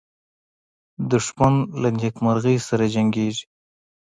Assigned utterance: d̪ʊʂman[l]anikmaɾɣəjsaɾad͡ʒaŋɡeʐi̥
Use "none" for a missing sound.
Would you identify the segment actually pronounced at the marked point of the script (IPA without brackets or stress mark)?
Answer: l